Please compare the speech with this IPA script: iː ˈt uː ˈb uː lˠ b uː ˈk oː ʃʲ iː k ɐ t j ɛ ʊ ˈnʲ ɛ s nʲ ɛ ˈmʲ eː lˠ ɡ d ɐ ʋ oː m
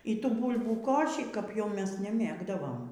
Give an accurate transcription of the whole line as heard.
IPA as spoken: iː ˈt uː ˈb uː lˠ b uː ˈk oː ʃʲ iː k ɐ p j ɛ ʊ ˈmʲ ɛ s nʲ ɛ ˈmʲ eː ɡ d ɐ ʋ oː m